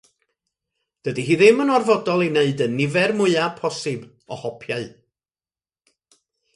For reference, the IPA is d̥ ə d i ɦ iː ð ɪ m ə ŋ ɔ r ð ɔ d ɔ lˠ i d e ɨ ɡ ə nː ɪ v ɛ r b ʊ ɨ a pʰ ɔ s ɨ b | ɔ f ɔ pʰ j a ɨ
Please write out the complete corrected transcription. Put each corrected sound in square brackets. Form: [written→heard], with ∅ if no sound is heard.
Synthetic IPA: d̥ ə d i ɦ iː ð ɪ m ə [ŋ→n] ɔ r [ð→v] ɔ d ɔ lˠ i [d→n] e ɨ [ɡ→d] ə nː ɪ v ɛ r [b→m] ʊ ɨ a pʰ ɔ s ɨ b | ɔ [f→h] ɔ pʰ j a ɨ